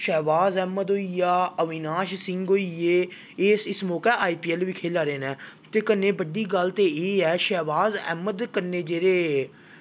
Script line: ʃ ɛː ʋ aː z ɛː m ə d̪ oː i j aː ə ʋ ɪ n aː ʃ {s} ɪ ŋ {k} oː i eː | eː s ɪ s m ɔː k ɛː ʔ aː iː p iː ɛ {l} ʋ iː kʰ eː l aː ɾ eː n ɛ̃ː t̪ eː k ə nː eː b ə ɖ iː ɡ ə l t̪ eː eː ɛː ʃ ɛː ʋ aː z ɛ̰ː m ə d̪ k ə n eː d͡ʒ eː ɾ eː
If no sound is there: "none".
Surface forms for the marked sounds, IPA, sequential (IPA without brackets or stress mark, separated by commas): s, ɡ, l